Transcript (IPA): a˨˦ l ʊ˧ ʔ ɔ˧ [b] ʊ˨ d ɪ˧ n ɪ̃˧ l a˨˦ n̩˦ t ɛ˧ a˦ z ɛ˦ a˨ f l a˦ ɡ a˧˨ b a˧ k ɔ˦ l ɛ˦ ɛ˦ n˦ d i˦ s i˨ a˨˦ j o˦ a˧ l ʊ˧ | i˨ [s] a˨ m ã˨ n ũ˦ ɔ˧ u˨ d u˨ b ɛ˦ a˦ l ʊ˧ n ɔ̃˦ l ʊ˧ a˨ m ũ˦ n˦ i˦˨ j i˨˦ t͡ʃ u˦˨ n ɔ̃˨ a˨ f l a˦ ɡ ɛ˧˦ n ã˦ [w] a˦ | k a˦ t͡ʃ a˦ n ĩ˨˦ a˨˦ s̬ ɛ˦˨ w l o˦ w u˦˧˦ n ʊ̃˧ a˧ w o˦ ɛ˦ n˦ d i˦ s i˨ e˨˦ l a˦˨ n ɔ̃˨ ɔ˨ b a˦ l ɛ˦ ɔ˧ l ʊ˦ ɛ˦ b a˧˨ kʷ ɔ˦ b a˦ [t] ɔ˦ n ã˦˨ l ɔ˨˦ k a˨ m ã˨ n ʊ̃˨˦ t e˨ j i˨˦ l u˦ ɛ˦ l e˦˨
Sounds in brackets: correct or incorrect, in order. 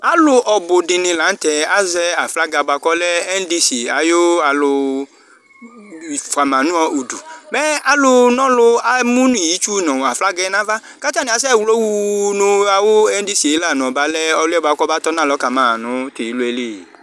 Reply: correct, incorrect, incorrect, correct

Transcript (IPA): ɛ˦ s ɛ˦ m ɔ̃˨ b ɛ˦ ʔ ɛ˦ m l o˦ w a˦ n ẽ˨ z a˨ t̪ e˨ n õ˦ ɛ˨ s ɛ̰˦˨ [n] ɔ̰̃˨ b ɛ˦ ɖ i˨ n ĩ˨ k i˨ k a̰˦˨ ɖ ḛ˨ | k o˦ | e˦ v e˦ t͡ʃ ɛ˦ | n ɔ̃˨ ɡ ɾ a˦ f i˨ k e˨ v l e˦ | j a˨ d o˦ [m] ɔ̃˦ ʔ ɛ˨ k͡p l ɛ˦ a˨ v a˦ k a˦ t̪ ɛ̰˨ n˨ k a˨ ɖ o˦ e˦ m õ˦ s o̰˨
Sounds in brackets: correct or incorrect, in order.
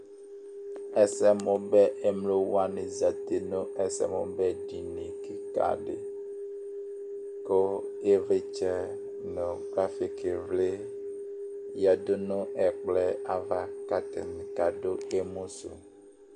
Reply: incorrect, incorrect

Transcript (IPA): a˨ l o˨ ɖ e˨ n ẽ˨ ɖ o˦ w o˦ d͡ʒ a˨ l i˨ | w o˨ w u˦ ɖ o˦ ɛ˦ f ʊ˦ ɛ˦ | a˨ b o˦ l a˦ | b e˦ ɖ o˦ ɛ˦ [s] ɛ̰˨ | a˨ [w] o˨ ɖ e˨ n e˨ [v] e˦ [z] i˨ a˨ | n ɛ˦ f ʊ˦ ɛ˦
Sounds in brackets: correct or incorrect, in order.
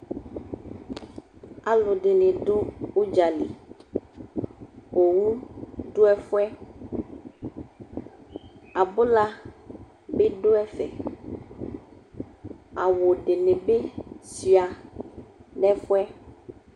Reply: incorrect, correct, incorrect, incorrect

